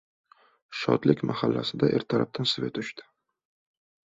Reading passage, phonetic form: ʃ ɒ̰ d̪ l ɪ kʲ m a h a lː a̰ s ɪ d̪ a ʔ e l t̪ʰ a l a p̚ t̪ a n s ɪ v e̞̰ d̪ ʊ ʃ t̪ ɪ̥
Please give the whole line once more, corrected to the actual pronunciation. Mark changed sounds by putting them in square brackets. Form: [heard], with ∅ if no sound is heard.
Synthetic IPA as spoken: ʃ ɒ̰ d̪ l ɪ kʲ m a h a lː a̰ s ɪ d̪ a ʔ e [ɾ] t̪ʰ a [ɾ] a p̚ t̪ a n s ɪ v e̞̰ [t̪] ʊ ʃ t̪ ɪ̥